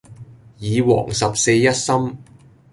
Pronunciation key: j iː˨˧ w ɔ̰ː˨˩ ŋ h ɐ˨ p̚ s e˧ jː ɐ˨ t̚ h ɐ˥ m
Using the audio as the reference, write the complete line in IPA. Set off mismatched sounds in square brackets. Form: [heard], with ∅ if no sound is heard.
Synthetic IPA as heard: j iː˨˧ w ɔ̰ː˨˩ ŋ [s] ɐ˨ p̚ s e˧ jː [ɐ˥] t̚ [s] ɐ˥ m